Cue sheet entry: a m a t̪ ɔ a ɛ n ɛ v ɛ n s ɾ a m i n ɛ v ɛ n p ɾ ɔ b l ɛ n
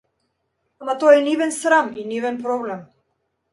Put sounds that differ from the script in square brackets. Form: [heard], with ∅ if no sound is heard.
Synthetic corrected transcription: a m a t̪ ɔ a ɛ n [i] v ɛ n s ɾ a m i n [i] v ɛ n p ɾ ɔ b l ɛ [m]